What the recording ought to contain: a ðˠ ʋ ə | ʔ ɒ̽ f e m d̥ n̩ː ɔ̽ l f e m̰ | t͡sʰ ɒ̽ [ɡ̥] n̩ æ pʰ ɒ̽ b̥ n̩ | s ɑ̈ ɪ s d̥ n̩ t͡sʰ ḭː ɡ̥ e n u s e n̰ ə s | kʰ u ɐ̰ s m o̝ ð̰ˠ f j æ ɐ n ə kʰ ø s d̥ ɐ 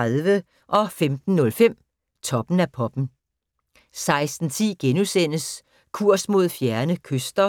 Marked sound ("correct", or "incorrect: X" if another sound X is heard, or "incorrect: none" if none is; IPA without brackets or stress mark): incorrect: b̥